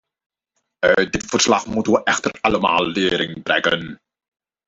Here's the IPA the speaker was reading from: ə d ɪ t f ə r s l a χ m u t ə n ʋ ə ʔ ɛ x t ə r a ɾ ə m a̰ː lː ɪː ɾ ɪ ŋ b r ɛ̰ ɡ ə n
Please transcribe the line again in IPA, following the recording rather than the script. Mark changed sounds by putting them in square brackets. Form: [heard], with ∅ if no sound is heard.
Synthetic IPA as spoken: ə d ɪ t f ə r s l a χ m u t ə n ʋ ə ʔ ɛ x t ə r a [l] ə m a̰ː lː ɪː ɾ ɪ ŋ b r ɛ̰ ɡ ə n